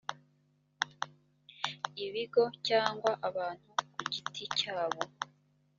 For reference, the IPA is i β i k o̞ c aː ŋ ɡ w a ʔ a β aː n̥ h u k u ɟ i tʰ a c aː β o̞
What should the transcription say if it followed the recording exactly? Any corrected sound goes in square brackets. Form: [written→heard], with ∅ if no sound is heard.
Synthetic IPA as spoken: i β i [k→ɡ] o̞ c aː ŋ ɡ w a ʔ a β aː n̥ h u k u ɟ i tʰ [a→i] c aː β o̞